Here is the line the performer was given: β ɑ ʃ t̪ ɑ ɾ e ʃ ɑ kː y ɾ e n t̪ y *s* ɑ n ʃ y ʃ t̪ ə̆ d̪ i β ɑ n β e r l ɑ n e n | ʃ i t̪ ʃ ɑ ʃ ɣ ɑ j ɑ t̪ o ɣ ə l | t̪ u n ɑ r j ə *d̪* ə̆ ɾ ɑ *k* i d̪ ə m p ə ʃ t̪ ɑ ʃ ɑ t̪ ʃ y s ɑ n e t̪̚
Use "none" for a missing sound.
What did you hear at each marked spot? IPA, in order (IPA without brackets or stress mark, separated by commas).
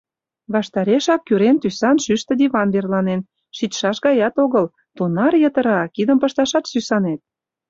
s, t̪, k